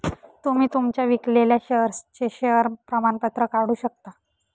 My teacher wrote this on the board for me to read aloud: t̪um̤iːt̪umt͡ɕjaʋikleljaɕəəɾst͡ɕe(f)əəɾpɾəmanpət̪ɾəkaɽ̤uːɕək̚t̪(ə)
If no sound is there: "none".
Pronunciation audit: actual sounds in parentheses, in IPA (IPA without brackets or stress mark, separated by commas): ɕ, a